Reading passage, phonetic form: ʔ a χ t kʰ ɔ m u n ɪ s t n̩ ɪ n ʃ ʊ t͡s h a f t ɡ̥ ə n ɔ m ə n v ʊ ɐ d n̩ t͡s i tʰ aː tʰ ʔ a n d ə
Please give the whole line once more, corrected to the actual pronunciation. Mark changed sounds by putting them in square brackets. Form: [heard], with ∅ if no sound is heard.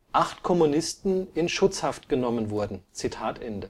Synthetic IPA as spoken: ʔ a χ t kʰ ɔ m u n ɪ s t n̩ ɪ n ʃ ʊ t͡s h a f t ɡ̥ ə n ɔ m ə n v ʊ ɐ d n̩ t͡s i tʰ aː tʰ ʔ [ɛ] n d ə

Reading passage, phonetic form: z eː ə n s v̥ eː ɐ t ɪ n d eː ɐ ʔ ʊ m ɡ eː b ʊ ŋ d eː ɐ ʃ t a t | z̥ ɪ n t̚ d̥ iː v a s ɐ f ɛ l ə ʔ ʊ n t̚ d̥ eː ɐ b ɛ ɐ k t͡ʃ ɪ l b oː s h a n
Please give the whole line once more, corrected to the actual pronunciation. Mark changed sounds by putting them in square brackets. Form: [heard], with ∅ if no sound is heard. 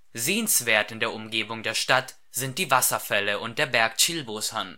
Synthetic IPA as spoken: z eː ə n s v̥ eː ɐ t ɪ n d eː ɐ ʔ ʊ m ɡ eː b ʊ ŋ d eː ɐ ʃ t a t | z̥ ɪ n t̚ d̥ iː v a s ɐ f ɛ l ə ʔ ʊ n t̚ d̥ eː ɐ b ɛ ɐ k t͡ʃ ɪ l b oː s h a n

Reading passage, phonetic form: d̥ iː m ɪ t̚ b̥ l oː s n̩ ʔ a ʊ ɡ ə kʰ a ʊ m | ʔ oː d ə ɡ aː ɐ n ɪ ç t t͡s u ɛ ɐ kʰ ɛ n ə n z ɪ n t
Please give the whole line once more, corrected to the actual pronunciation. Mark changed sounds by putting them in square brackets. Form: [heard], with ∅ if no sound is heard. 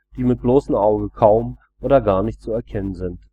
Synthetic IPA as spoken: d̥ iː m ɪ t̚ b̥ l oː s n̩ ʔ a ʊ ɡ ə kʰ a ʊ m | ʔ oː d [ɐ] ɡ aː ɐ n ɪ ç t t͡s u ɛ ɐ kʰ ɛ n ə n z ɪ n t

